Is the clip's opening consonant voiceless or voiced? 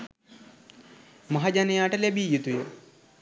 voiced